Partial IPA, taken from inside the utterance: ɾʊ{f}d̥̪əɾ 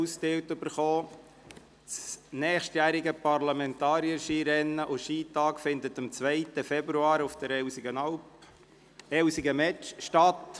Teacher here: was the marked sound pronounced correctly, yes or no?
yes